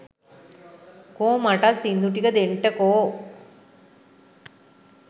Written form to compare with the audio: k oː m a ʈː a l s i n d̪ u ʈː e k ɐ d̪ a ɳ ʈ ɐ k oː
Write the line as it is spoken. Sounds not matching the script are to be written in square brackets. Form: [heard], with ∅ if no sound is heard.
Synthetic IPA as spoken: k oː m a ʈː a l s i n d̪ u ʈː [i] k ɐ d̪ [e] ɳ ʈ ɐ k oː